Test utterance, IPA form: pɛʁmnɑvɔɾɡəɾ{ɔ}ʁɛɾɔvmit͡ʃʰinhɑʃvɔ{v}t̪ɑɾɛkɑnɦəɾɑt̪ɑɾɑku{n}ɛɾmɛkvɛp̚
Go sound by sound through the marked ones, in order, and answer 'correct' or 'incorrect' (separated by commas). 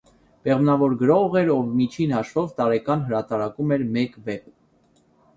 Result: correct, correct, incorrect